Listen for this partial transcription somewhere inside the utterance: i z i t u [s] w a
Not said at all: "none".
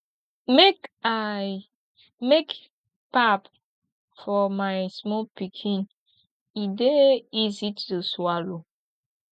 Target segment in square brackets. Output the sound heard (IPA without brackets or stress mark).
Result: s